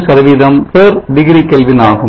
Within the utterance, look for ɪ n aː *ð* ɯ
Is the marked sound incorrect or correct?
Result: incorrect